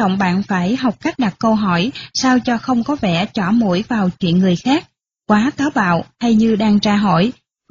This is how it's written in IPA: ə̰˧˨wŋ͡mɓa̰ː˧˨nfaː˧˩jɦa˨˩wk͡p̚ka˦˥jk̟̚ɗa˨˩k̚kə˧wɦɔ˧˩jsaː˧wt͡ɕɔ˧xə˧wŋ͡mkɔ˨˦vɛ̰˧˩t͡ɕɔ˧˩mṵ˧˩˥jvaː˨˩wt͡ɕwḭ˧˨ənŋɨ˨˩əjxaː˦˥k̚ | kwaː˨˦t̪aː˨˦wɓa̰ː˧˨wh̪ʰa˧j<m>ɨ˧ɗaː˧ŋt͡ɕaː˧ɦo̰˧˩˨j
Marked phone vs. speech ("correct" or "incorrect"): incorrect